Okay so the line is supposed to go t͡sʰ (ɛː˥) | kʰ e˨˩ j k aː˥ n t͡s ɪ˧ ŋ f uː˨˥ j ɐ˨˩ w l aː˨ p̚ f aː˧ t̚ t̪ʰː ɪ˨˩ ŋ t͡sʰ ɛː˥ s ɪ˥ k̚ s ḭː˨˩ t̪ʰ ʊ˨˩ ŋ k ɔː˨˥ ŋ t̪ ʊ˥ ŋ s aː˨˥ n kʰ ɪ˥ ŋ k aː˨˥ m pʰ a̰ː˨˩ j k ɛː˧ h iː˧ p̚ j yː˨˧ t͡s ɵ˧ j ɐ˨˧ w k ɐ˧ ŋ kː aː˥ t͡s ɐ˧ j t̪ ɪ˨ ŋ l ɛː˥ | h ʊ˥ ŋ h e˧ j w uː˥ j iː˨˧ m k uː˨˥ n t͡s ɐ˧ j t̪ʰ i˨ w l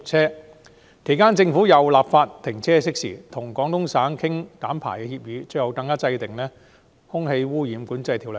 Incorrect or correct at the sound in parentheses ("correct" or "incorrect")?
correct